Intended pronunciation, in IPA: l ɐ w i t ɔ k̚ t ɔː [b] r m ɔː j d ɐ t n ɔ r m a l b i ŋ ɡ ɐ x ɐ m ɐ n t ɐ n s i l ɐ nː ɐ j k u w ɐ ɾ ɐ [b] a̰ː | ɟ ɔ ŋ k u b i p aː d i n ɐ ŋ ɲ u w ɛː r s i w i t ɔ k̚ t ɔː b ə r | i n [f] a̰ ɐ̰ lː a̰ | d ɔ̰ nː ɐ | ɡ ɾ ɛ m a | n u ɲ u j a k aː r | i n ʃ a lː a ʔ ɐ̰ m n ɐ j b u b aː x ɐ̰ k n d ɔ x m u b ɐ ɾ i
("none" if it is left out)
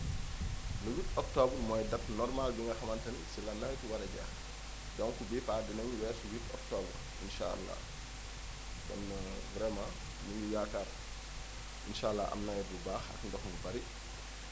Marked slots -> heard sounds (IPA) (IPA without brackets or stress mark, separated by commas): b, ɟ, ʃ